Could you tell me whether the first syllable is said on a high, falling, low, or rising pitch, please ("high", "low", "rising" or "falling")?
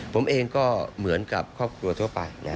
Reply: rising